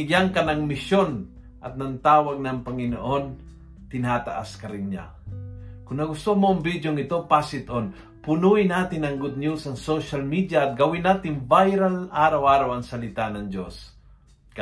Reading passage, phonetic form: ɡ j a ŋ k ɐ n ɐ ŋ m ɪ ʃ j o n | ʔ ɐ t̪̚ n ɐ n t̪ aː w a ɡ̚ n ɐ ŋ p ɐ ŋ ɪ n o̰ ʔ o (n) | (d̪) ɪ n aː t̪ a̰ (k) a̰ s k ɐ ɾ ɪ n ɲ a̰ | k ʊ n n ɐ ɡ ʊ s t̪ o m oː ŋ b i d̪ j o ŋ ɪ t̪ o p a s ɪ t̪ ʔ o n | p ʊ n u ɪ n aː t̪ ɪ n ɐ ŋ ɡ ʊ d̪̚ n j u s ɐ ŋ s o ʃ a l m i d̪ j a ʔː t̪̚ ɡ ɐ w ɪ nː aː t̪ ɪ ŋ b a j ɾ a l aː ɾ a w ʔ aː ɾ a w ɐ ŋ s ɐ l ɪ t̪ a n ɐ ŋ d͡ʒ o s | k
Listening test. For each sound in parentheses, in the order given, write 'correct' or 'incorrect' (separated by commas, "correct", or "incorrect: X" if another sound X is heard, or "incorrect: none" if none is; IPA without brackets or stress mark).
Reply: correct, incorrect: t̪, incorrect: ʔ